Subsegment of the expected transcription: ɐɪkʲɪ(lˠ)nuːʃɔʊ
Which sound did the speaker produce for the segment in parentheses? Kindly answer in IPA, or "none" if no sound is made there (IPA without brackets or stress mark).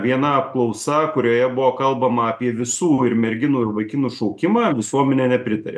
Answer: none